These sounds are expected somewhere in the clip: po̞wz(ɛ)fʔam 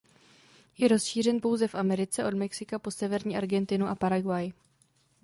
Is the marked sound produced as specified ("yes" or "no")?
yes